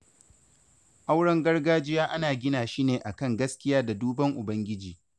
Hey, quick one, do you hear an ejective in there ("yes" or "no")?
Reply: no